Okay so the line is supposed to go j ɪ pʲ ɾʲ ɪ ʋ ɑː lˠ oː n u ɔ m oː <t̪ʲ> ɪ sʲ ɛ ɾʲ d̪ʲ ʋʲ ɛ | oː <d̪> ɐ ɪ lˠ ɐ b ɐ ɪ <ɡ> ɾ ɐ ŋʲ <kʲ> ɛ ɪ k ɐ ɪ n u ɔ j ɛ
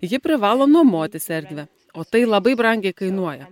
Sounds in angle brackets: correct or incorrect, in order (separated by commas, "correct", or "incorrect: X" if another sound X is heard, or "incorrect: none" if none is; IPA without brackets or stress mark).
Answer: correct, incorrect: t̪, incorrect: b, incorrect: ɡʲ